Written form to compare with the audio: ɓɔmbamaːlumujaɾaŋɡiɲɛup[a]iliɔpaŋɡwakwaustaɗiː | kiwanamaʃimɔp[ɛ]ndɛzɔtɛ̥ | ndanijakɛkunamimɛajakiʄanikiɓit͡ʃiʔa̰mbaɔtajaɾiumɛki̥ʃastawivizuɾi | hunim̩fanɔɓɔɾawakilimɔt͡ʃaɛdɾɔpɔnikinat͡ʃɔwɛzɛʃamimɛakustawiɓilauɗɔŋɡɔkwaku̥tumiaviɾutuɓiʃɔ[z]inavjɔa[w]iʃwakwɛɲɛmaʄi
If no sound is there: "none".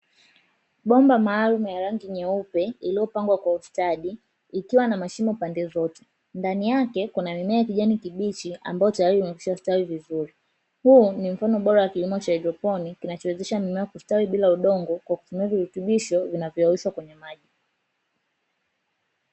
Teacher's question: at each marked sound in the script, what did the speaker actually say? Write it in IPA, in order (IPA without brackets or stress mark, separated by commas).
ɛ, a, v, w